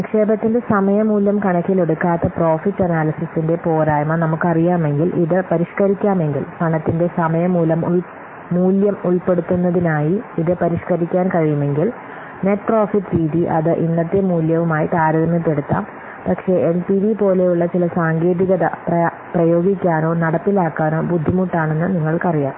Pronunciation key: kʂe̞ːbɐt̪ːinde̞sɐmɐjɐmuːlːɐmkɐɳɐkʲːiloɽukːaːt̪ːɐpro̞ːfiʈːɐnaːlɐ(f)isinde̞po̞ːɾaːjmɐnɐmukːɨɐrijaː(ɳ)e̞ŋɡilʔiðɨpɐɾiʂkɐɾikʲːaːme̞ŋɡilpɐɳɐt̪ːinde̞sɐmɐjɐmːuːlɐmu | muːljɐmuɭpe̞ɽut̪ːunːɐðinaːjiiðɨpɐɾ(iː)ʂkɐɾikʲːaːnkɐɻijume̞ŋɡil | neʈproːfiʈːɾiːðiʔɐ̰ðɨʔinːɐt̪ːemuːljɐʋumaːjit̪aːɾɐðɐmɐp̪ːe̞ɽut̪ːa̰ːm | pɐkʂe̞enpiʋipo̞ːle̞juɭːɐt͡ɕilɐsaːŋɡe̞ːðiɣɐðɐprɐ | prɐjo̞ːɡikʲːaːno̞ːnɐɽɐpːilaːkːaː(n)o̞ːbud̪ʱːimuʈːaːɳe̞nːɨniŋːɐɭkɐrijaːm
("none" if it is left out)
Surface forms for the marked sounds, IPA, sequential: s, m, i, n

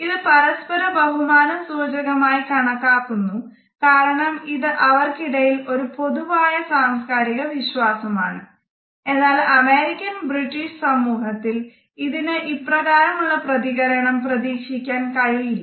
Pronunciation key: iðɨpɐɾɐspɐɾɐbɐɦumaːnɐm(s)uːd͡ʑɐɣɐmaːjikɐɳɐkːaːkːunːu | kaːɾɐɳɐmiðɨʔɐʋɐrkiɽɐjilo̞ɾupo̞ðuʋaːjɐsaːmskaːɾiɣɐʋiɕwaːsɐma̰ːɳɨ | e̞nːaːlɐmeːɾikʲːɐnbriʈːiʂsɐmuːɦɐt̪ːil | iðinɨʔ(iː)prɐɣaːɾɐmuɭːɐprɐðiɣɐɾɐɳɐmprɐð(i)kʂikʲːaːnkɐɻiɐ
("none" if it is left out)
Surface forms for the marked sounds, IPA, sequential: s, i, iː

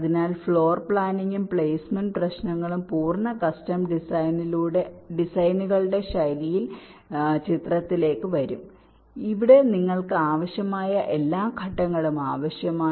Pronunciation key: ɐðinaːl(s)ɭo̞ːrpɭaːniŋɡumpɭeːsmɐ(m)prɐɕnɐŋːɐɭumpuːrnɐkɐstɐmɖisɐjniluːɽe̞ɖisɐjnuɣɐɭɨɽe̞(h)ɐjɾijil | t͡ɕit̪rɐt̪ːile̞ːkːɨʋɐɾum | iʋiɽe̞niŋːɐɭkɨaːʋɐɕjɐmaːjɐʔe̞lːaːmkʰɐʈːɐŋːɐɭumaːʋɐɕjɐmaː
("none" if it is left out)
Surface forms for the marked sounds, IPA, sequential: f, n, ɕ

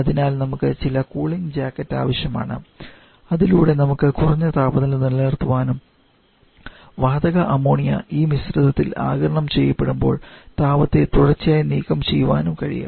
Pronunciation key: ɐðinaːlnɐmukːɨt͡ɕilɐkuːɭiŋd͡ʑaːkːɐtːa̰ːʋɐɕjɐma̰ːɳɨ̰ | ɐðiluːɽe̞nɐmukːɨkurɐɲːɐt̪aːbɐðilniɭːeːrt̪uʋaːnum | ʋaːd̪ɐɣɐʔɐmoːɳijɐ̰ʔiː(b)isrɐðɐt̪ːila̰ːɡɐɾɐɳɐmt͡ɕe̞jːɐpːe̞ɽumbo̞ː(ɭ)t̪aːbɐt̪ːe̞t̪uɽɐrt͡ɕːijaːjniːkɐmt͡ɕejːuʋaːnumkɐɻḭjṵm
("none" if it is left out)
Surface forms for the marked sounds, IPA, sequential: m, ɭ

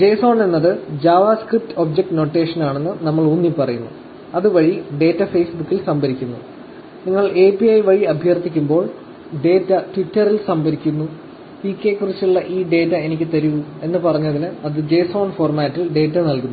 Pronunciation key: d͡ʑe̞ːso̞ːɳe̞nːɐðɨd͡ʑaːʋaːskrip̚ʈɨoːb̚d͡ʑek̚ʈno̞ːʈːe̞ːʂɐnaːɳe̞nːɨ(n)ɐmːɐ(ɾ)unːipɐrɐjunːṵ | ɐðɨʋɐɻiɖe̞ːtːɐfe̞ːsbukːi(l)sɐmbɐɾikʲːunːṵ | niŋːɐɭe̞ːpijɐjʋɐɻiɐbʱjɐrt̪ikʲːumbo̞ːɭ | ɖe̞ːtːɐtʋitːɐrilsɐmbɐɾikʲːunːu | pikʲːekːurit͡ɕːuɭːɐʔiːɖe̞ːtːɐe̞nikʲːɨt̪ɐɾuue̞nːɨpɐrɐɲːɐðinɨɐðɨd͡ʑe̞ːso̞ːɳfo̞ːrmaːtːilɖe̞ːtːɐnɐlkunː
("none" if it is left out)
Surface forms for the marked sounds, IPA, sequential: n, ɭ, l

